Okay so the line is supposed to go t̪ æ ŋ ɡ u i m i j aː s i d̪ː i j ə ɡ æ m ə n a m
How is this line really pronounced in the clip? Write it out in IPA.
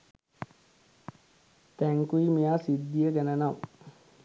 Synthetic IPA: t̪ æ ŋ k u i m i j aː s i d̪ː i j ə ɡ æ n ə n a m